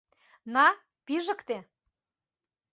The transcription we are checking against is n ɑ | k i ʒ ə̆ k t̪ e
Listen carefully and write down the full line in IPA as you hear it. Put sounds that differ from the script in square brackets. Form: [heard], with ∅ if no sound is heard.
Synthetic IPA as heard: n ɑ | [p] i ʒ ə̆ k t̪ e